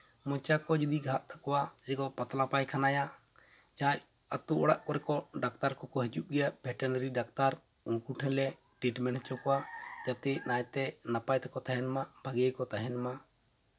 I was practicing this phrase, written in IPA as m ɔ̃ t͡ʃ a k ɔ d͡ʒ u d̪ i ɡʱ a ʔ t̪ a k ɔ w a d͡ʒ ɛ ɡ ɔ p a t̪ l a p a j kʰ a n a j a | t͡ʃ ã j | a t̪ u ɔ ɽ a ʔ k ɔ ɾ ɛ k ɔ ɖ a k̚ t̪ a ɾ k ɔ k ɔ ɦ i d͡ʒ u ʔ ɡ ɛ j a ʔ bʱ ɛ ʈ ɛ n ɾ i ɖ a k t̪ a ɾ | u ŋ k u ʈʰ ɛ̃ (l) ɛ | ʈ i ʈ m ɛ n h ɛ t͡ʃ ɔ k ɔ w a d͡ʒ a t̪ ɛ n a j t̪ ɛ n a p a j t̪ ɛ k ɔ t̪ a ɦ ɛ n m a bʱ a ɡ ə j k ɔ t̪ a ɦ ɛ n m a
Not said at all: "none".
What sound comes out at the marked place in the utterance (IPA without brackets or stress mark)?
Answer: l